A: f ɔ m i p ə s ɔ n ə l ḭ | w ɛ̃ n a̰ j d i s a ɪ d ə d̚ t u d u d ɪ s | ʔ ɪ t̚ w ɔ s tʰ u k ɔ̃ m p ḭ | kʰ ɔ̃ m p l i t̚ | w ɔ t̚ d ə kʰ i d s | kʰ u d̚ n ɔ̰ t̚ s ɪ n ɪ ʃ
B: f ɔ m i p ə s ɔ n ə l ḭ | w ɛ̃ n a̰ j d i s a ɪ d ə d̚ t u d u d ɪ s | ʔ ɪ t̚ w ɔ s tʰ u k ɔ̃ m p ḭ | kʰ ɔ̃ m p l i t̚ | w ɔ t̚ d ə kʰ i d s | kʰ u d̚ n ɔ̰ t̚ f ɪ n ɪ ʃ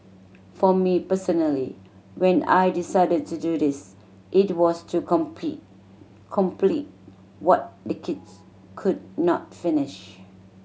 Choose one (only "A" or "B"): B